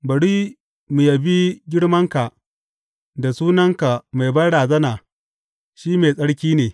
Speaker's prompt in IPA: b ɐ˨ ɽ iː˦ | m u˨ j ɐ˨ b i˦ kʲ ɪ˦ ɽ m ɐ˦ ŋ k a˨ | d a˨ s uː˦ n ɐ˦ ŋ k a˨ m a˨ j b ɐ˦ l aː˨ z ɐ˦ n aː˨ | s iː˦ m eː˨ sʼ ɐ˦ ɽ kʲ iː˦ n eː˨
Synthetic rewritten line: b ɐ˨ ɽ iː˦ | m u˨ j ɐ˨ b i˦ ɡʲ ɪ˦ ɽ m ɐ˦ ŋ k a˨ | d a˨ s uː˦ n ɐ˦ ŋ k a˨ m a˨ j b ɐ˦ ɽ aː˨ z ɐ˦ n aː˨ | ʃ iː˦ m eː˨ sʼ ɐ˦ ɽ kʲ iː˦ n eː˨